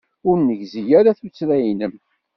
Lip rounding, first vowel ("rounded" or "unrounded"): rounded